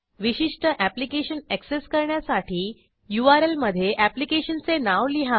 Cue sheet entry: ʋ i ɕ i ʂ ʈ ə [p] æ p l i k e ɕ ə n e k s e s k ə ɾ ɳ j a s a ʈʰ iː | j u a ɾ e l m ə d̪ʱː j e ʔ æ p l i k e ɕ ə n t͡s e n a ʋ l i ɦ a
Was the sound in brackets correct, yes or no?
no